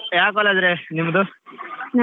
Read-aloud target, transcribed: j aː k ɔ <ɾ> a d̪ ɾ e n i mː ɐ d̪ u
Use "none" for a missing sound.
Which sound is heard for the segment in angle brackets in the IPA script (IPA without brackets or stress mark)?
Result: l